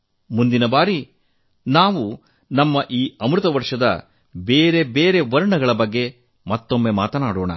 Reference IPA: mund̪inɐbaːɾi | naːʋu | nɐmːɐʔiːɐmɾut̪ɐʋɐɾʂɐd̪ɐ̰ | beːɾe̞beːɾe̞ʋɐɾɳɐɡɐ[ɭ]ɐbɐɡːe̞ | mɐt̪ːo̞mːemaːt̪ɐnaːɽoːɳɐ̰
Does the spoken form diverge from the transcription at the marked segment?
no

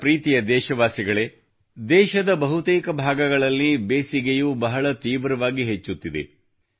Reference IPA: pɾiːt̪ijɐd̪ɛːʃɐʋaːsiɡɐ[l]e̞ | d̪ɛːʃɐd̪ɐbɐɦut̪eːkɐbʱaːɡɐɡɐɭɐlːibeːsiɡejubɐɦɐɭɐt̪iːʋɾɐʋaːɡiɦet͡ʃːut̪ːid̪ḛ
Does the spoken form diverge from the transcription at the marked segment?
yes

